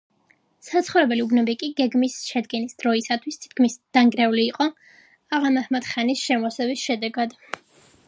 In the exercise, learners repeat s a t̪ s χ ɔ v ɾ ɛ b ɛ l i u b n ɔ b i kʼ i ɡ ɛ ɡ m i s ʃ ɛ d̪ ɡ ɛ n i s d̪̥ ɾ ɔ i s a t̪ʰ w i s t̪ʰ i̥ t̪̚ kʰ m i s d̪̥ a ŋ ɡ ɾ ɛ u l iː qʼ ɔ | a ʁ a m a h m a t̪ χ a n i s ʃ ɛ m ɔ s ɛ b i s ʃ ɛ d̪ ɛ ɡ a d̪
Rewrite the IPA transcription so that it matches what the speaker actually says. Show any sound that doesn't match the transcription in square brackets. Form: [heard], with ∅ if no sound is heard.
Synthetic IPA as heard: s a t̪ s χ ɔ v ɾ ɛ b ɛ l i u b n ɔ b i kʼ i ɡ ɛ ɡ m i s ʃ ɛ d̪ ɡ ɛ n i s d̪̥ ɾ ɔ i s a t̪ʰ w i s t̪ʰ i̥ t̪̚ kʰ m i s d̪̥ a ŋ ɡ ɾ ɛ u l iː qʼ ɔ | a ʁ a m a h m a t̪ χ a n i s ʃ ɛ m ɔ s ɛ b i s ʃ ɛ d̪ ɛ ɡ a d̪